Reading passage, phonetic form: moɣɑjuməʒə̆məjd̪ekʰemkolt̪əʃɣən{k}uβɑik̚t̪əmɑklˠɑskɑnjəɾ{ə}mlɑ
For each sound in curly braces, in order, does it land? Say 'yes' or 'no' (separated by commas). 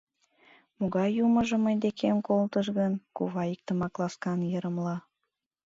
yes, yes